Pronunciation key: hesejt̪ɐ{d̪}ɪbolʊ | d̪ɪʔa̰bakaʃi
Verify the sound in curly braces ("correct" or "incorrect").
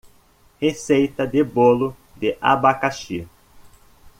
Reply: correct